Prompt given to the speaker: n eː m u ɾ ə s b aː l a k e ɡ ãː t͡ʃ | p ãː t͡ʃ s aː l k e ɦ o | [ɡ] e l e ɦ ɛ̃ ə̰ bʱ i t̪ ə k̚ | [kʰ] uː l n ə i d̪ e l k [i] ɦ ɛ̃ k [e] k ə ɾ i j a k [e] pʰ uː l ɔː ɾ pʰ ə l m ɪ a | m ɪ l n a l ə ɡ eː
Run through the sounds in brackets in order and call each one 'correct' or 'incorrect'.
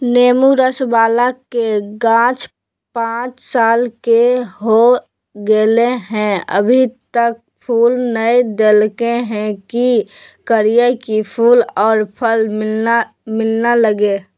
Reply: correct, incorrect: pʰ, incorrect: e, incorrect: i, incorrect: i

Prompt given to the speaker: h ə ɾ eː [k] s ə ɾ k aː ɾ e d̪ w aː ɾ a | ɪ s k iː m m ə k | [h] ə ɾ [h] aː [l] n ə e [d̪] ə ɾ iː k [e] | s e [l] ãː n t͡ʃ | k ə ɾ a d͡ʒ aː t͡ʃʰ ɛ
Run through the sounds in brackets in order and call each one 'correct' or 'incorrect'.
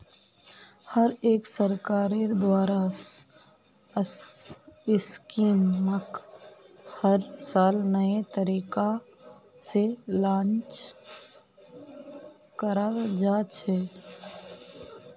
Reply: correct, correct, incorrect: s, correct, incorrect: t̪, incorrect: a, correct

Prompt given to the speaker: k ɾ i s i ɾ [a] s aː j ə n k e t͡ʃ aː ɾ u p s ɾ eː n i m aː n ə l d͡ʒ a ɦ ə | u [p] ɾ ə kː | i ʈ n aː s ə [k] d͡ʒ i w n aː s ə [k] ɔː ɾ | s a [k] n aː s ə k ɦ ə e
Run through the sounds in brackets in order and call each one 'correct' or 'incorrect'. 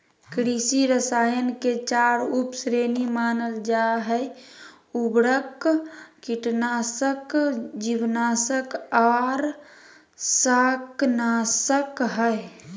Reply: incorrect: ə, incorrect: b, correct, correct, correct

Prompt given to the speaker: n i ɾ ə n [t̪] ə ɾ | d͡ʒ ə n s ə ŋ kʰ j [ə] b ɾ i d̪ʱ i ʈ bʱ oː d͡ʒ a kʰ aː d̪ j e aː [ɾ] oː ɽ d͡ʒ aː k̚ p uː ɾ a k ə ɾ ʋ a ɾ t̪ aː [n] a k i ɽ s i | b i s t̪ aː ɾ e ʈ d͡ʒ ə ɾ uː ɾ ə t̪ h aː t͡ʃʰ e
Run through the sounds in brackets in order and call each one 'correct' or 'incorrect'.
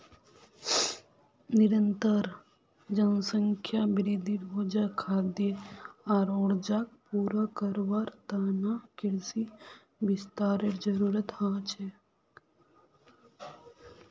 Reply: correct, incorrect: a, correct, correct

